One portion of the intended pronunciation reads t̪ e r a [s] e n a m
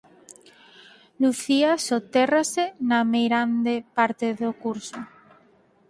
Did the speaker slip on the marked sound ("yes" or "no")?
no